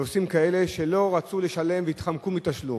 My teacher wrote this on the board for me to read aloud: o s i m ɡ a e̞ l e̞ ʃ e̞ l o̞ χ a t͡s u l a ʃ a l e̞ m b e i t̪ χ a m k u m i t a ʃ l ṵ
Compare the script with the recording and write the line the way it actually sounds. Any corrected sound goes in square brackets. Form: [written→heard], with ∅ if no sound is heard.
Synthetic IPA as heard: o s i m [ɡ→k] a e̞ l e̞ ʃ e̞ l o̞ [χ→ʁ] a t͡s u l [a→e] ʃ a l e̞ m [b→v] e i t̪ χ a m k u m i t a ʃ l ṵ

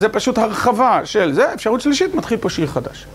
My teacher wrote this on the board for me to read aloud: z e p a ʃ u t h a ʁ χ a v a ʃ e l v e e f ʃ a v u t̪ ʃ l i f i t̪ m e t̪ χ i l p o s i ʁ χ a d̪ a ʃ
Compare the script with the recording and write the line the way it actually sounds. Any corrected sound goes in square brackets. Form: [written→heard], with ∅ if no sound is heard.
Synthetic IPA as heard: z e p a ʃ u t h a ʁ χ a v a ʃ e l [v→z] e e f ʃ a [v→ʁ] u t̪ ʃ l i [f→ʃ] i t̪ m [e→a] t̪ χ i l p o [s→ʃ] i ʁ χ a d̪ a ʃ

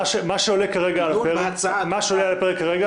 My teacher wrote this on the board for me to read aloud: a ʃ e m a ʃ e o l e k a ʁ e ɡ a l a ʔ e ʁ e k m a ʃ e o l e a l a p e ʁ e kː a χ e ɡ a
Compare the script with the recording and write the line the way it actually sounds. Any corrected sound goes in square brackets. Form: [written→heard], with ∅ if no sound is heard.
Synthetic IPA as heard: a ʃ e m a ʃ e o l e k a ʁ e ɡ a l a [ʔ→p] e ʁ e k m a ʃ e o l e a l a p e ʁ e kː a [χ→ʁ] e ɡ a

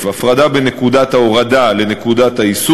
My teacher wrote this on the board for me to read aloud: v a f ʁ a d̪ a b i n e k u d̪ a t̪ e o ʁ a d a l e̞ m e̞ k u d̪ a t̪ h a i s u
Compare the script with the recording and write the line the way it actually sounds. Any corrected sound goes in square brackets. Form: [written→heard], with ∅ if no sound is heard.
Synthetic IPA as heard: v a f ʁ a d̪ a b [i→e] n e k u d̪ a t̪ [e→a] o ʁ a d a l e̞ [m→n] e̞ k u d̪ a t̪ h a i s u

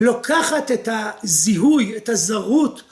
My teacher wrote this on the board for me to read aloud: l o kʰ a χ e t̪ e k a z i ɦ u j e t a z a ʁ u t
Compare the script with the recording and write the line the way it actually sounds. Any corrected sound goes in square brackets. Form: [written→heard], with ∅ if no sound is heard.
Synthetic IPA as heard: l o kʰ a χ [e→a] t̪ e [k→t] a z i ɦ u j e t a z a ʁ u t

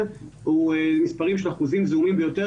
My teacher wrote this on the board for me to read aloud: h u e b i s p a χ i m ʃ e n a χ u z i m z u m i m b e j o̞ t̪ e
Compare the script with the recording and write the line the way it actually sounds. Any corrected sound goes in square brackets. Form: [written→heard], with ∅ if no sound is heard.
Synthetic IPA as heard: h u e [b→m] i s p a [χ→ʁ] i m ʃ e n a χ u z i m z u m i m b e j o̞ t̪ e

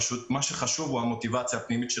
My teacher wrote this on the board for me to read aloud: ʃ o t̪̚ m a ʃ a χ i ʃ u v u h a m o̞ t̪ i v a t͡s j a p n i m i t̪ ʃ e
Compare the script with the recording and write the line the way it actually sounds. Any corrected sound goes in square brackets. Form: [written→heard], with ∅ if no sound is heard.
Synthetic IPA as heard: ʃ [o→u] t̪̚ m a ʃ [a→e] χ [i→a] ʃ u v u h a m o̞ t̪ i v a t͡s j a p n i m i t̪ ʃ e

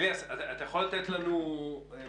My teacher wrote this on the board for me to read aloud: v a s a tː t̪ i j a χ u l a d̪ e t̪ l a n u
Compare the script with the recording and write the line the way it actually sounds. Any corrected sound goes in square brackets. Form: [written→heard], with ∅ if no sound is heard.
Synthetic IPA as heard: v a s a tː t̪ [i→a] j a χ [u→o] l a [d̪→t̪] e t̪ l a n u

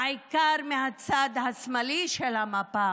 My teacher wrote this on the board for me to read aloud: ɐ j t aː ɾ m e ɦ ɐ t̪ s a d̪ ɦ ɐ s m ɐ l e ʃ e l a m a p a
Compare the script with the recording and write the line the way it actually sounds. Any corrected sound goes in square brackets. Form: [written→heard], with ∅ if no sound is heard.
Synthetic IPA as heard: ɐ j [t→k] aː ɾ m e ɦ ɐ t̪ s a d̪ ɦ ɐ s m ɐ l [e→i] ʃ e l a m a p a

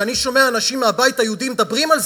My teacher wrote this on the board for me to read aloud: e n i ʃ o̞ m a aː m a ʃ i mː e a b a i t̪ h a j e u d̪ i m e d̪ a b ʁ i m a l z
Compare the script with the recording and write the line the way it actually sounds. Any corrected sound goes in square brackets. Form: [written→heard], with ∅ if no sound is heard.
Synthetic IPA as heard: [e→a] n i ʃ o̞ m [a→e] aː [m→n] a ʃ i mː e a b a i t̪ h a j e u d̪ i m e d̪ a b ʁ i m a l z

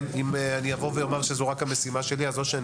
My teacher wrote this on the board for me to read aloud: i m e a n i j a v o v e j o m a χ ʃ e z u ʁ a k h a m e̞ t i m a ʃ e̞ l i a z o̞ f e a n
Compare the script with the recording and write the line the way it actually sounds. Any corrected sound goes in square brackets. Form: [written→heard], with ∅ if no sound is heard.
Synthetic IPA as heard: i m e a n i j a v o v e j o m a [χ→ʁ] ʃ e z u ʁ a k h a m e̞ [t→s] i m a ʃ e̞ l i a z o̞ [f→ʃ] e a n

